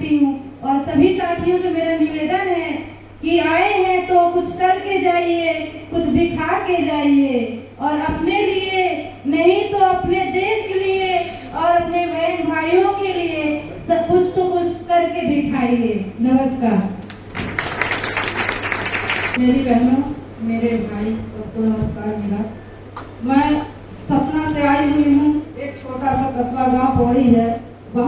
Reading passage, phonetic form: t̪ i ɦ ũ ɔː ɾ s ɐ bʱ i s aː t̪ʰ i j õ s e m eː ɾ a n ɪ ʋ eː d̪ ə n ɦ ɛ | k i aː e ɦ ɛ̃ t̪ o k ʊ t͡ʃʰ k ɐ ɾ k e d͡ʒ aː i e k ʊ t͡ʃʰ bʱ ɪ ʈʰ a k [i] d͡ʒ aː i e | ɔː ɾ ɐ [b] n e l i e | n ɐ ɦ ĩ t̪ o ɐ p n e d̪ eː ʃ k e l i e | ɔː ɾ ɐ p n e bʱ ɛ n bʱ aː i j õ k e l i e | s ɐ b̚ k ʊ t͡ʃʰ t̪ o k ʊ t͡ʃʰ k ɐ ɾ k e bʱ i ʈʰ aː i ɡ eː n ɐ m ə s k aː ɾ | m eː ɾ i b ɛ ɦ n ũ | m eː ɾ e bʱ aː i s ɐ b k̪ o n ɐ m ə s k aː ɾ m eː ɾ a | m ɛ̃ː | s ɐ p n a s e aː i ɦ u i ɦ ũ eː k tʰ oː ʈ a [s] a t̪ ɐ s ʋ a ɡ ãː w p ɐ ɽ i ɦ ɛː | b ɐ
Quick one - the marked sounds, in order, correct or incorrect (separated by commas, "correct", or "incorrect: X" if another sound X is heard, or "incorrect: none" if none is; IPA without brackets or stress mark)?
incorrect: e, incorrect: p, correct